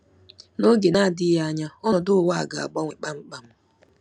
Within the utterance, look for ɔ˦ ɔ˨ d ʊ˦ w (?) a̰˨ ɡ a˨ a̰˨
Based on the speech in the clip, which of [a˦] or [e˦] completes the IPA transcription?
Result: a˦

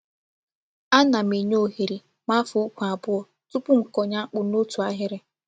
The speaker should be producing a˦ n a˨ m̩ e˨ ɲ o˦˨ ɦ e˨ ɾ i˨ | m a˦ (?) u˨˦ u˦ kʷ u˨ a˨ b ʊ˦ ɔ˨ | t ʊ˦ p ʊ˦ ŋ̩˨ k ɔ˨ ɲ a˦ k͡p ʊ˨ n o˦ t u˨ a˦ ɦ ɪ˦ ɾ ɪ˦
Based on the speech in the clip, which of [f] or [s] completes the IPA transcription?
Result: f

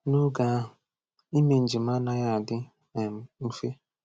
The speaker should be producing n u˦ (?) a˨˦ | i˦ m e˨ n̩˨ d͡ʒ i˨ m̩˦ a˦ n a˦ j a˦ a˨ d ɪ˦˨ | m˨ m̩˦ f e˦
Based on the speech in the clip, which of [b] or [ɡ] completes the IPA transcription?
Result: ɡ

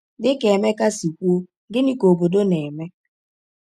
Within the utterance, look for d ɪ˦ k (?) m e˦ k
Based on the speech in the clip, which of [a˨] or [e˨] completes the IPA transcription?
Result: e˨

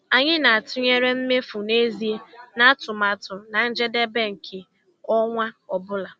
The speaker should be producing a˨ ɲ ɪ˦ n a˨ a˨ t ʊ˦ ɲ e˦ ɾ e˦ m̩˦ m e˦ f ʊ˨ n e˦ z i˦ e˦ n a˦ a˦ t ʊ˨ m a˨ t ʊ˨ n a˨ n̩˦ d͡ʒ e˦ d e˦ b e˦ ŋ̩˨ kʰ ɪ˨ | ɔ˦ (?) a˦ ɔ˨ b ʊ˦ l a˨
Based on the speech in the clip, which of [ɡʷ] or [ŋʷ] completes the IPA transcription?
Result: ŋʷ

